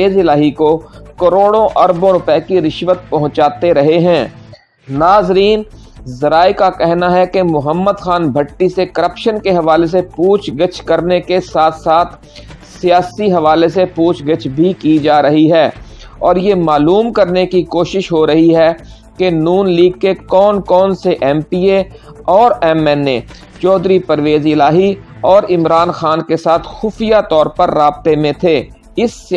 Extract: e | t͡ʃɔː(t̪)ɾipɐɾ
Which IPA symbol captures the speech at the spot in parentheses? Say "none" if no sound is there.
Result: d̪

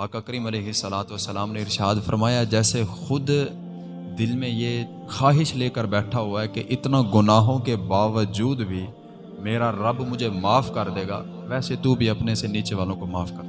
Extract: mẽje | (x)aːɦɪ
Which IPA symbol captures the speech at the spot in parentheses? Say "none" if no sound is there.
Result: x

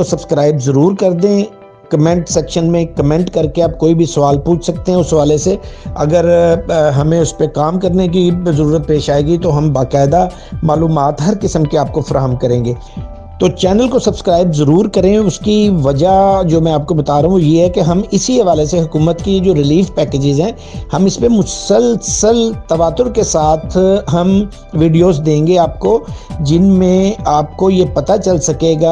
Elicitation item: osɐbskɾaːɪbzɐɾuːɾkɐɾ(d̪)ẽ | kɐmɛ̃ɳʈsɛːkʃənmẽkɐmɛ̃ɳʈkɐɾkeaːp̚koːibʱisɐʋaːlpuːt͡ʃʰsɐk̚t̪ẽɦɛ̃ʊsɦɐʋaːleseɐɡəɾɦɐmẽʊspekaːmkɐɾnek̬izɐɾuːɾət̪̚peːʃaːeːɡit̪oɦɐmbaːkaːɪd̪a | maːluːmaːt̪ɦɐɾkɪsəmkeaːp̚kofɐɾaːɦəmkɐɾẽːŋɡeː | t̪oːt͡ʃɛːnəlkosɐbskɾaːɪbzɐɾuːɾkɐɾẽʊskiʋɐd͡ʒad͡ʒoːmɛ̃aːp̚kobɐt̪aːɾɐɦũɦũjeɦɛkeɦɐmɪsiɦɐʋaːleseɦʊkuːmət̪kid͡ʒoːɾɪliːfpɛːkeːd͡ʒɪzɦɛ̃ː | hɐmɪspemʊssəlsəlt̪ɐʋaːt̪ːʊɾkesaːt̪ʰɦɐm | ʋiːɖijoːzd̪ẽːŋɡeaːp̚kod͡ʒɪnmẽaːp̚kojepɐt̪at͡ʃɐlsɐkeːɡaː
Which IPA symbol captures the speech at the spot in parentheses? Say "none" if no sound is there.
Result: d̪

